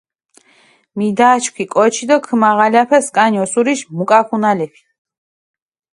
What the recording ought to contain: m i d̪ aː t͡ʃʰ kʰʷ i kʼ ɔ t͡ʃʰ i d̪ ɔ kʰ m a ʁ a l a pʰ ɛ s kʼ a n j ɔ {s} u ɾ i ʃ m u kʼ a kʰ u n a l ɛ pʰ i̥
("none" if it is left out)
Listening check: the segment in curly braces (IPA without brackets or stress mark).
s